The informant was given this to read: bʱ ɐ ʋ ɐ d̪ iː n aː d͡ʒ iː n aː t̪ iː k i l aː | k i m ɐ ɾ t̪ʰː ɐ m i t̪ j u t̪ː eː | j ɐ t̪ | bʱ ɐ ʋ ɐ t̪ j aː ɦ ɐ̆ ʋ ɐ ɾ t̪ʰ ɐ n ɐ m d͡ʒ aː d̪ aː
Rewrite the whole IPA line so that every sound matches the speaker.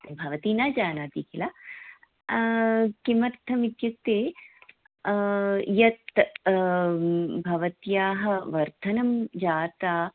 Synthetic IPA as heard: bʱ ɐ ʋ ɐ t̪ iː n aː d͡ʒ aː n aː t̪ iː k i l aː | k i m ɐ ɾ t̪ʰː ɐ m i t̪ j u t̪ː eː | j ɐ t̪ | bʱ ɐ ʋ ɐ t̪ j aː ɦ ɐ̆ ʋ ɐ ɾ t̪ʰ ɐ n ɐ m d͡ʒ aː t̪ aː